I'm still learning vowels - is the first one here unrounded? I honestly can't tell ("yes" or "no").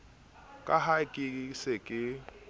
yes